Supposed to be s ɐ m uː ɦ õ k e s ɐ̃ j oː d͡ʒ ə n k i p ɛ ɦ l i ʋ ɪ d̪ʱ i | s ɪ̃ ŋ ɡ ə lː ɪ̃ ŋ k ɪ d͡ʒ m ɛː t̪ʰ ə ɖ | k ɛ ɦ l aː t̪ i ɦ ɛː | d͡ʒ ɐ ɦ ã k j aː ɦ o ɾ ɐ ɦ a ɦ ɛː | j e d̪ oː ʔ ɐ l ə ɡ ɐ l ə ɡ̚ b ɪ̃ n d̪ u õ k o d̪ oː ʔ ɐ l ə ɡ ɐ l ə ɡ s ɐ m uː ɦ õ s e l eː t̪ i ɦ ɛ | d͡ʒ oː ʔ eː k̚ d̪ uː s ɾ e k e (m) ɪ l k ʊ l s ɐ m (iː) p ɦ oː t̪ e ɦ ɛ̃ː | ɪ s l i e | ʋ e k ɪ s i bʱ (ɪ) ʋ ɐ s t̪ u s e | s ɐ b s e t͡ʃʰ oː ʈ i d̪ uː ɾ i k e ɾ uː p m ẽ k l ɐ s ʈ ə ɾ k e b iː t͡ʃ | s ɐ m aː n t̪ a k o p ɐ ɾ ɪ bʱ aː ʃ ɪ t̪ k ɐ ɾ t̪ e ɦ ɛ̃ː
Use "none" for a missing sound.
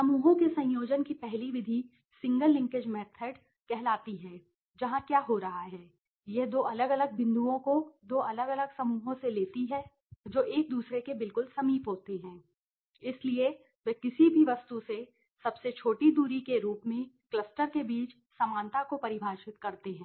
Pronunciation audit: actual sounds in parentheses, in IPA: b, iː, i

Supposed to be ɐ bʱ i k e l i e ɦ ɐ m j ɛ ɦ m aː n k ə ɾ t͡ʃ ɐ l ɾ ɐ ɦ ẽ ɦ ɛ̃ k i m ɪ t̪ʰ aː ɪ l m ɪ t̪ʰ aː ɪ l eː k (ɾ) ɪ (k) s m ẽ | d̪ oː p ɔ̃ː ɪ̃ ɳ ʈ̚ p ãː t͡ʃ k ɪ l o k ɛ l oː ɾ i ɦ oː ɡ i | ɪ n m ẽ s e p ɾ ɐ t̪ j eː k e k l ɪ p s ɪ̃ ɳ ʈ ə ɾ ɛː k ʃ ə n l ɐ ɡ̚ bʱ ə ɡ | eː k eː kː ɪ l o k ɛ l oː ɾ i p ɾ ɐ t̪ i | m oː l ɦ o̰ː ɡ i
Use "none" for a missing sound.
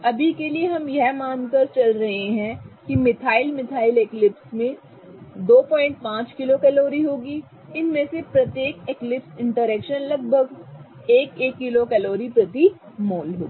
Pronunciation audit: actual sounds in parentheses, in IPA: l, p

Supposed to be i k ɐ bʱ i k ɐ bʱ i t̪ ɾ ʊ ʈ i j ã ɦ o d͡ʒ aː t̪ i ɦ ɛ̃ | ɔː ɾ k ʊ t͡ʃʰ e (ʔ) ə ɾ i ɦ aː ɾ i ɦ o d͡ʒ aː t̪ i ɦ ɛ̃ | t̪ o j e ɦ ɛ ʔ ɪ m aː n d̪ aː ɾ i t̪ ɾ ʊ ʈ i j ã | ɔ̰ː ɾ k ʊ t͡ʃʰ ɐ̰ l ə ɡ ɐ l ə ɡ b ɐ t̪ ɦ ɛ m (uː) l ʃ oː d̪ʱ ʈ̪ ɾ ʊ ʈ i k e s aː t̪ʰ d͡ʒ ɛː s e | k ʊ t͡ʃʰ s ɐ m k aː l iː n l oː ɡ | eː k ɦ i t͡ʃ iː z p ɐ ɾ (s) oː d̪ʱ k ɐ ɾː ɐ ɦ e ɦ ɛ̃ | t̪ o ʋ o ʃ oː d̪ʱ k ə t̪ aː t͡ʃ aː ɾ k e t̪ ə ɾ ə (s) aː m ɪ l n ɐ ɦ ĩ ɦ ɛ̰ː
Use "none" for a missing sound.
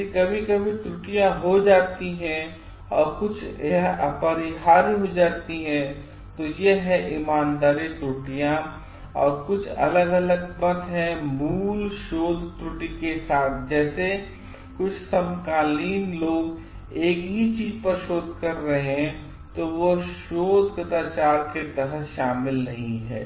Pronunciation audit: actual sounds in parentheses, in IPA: p, uː, ʃ, ʃ

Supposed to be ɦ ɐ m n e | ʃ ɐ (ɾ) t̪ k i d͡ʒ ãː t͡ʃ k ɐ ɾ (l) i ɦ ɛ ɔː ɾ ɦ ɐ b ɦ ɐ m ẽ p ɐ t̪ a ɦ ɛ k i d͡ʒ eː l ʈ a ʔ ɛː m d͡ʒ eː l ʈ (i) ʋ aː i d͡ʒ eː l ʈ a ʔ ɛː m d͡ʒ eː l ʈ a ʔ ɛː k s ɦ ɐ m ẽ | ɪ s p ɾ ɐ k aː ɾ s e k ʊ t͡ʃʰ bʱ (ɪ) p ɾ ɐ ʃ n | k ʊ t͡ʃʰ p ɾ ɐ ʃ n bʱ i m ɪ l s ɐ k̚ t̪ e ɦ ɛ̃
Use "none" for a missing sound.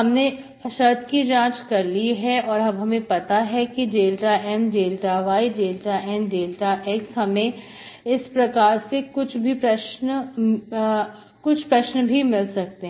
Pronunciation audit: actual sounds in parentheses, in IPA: ɾ, l, a, i

